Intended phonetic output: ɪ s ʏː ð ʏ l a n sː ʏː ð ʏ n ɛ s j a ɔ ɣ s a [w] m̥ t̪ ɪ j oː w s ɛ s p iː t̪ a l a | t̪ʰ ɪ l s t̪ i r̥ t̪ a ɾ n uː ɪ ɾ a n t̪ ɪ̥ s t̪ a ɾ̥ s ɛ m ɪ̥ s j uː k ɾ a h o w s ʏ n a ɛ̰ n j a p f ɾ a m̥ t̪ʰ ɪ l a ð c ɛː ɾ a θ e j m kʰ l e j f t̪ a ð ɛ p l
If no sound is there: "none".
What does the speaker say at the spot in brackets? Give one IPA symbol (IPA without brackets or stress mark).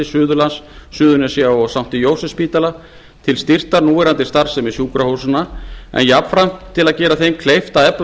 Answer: w